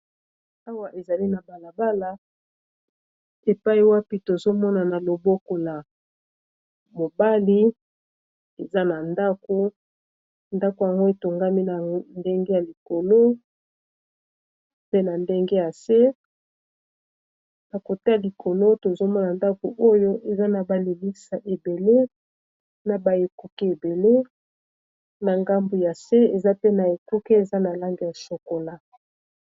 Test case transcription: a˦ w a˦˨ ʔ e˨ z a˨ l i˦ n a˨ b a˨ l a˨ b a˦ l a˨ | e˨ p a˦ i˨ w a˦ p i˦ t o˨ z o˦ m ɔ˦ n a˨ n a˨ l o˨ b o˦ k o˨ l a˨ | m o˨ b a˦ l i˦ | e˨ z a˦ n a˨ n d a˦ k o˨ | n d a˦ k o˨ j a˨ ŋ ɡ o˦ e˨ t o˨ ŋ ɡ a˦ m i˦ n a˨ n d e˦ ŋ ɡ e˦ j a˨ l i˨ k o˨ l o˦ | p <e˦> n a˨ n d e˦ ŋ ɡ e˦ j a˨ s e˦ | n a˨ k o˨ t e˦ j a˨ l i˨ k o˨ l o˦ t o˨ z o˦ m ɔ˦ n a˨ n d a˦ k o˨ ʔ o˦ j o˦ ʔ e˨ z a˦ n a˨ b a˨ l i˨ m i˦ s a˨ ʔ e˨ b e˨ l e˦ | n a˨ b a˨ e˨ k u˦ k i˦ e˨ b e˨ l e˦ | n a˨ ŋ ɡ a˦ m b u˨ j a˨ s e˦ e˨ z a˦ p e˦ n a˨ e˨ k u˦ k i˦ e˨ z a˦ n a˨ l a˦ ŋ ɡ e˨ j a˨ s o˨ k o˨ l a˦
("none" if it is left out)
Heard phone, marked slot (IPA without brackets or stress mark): e˦